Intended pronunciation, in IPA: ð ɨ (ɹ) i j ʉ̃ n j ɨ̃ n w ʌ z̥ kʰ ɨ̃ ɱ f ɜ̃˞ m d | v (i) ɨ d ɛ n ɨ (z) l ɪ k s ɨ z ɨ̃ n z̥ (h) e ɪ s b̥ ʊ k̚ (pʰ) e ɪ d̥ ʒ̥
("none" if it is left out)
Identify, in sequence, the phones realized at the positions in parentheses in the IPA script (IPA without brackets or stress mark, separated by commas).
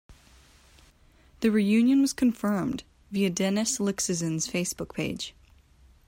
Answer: ɹ, i, s, f, pʰ